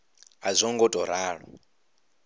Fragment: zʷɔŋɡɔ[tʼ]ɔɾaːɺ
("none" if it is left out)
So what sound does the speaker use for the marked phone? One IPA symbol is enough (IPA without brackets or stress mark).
tʼ